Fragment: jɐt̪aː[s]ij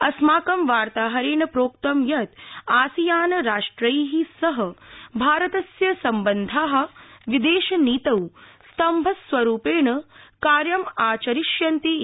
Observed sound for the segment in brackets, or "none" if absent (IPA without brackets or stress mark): s